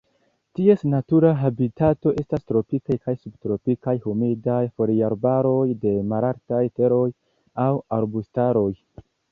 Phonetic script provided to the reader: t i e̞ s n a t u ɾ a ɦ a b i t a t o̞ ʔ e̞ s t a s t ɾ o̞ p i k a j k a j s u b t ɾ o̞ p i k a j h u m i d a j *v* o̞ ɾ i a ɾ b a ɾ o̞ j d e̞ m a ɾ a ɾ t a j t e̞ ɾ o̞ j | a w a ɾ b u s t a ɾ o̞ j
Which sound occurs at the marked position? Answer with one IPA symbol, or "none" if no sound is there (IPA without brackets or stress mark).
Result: f